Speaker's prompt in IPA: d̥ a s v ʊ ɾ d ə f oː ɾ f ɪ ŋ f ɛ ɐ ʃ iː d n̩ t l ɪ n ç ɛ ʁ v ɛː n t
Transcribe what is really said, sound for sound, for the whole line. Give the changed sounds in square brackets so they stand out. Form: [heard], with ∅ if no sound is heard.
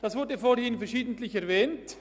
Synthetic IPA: d̥ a s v ʊ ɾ d ə f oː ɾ [h] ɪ [n] f ɛ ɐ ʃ iː d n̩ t l ɪ [∅] ç ɛ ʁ v ɛː n t